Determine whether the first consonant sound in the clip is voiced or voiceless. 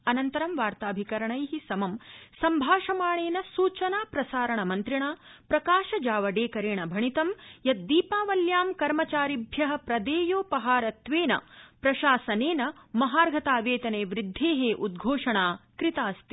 voiced